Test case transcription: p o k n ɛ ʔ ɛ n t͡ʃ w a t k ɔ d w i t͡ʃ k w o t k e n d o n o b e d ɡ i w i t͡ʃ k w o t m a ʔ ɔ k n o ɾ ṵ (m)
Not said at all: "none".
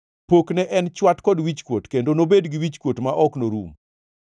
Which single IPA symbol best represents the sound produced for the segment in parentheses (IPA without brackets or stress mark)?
m